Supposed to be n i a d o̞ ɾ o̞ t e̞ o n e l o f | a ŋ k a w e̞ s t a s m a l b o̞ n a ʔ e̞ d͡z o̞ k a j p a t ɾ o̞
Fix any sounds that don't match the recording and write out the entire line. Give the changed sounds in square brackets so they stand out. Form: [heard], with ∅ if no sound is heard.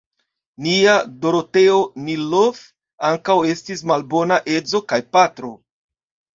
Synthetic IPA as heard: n i a d o̞ ɾ o̞ t e̞ o n [i] l o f | a ŋ k a w e̞ s t [i] s m a l b o̞ n a ʔ e̞ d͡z o̞ k a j p a t ɾ o̞